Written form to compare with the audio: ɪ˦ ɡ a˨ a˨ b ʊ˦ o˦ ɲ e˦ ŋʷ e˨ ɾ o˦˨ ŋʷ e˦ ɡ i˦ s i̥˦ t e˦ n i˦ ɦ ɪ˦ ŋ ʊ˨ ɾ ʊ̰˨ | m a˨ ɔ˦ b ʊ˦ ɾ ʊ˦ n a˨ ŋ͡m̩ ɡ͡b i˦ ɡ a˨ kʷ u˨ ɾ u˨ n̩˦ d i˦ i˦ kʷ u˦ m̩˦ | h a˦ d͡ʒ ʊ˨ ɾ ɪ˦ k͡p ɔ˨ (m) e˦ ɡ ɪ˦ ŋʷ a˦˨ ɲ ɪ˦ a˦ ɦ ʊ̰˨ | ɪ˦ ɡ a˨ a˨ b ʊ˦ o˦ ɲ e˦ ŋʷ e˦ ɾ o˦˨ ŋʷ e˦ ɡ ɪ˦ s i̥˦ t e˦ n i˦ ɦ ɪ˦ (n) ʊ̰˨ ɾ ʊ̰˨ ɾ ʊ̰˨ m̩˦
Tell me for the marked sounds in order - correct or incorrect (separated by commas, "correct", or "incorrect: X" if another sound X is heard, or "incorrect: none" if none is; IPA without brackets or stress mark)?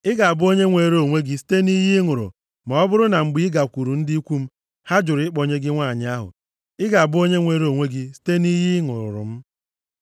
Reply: incorrect: ɲ, incorrect: ŋ